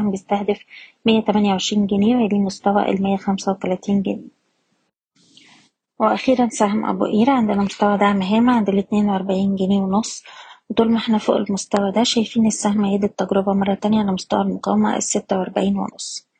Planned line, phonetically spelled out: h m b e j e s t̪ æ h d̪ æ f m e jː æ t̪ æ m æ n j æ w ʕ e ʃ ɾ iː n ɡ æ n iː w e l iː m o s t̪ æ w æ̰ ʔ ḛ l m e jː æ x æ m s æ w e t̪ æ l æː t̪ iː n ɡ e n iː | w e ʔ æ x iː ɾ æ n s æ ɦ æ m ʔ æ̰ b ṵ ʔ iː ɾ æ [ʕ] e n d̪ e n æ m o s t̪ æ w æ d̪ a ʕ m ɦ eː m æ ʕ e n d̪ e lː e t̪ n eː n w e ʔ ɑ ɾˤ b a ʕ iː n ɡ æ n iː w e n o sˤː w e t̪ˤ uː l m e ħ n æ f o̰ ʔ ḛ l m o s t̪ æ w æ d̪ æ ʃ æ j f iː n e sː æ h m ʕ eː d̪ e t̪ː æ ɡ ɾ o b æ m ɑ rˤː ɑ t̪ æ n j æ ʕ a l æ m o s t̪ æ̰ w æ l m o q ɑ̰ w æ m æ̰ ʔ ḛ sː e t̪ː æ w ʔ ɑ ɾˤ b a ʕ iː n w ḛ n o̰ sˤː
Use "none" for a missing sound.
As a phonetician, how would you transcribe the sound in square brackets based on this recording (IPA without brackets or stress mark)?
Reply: ʕ